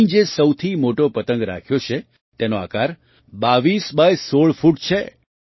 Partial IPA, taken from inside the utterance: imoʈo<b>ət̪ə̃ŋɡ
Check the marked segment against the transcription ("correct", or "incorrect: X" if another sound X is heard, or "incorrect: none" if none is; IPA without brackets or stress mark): incorrect: p